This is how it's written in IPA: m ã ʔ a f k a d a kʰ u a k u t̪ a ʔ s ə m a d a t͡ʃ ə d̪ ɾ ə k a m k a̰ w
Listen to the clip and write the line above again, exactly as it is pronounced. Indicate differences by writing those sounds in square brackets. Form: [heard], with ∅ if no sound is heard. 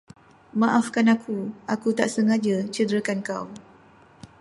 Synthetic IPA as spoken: m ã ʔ a f k a [n] a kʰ u a k u t̪ a ʔ s ə [ŋ] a [d͡ʒ] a t͡ʃ ə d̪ ɾ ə k a [n] k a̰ w